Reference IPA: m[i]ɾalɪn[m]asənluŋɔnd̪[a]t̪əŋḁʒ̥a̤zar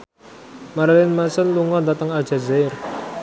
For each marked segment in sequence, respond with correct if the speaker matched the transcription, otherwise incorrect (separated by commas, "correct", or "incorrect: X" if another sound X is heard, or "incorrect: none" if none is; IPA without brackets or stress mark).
incorrect: a, correct, correct